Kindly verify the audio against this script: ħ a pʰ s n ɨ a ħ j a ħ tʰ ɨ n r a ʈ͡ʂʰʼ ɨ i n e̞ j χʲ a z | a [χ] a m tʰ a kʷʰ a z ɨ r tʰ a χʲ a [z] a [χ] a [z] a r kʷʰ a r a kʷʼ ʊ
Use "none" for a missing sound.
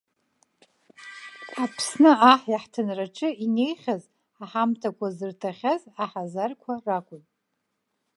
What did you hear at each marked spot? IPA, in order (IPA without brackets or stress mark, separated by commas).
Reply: ħ, z, ħ, z